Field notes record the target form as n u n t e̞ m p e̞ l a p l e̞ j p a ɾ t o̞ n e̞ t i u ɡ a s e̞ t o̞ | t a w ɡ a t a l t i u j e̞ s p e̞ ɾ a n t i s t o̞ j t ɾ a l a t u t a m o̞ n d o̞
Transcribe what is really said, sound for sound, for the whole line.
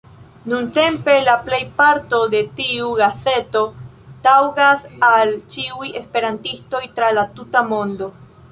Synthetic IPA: n u n t e̞ m p e̞ l a p l e̞ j p a ɾ t o̞ d e̞ t i u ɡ a s e̞ t o̞ | t a w ɡ a s a l t͡ʃ i u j e̞ s p e̞ ɾ a n t i s t o̞ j t ɾ a l a t u t a m o̞ n d o̞